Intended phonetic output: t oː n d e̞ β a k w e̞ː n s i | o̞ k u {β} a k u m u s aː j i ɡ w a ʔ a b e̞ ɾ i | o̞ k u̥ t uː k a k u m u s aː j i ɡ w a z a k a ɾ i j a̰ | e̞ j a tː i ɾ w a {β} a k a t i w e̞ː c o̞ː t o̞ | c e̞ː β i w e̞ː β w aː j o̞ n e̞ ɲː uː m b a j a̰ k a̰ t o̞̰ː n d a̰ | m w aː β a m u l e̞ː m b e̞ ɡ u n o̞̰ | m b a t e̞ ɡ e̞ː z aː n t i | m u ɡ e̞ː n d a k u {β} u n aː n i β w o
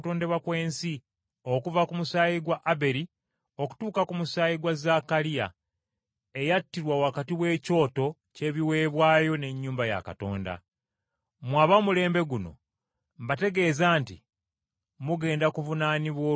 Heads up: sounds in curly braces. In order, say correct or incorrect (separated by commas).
incorrect, incorrect, incorrect